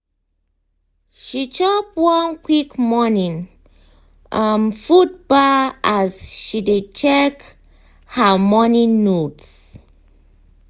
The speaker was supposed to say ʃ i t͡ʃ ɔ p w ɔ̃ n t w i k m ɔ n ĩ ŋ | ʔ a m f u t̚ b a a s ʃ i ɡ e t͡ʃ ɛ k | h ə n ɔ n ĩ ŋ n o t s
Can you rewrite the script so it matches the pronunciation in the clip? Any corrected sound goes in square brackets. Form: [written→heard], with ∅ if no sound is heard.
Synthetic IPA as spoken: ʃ i t͡ʃ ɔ p w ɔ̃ n [t→k] w i k m ɔ n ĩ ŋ | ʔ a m f u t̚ b a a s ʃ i [ɡ→d] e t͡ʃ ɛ k | h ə [n→m] ɔ n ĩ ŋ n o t s